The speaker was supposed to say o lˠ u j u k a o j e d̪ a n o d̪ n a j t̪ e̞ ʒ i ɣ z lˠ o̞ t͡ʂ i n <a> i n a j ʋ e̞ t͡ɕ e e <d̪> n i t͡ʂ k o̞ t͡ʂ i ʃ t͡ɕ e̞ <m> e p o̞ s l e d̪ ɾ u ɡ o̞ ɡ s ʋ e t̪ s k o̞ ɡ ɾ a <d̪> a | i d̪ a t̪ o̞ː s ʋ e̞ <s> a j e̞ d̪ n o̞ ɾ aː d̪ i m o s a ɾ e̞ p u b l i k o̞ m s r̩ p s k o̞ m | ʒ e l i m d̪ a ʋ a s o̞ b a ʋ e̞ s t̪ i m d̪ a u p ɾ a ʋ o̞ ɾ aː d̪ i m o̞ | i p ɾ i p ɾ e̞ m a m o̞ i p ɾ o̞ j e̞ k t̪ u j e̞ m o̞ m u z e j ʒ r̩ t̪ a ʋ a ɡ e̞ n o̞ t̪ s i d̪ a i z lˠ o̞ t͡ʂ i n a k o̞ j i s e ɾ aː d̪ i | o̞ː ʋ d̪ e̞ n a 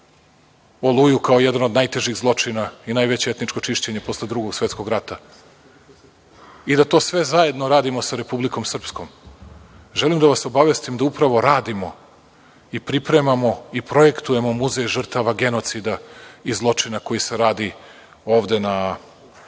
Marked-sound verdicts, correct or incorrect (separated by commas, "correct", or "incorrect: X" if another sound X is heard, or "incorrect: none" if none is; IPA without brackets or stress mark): correct, incorrect: t̪, incorrect: ɲ, incorrect: t̪, incorrect: z